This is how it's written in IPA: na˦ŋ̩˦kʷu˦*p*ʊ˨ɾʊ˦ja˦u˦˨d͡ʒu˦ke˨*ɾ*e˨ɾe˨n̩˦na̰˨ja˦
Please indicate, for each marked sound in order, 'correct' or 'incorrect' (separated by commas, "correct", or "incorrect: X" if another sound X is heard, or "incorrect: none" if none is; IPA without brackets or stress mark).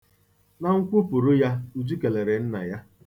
correct, incorrect: l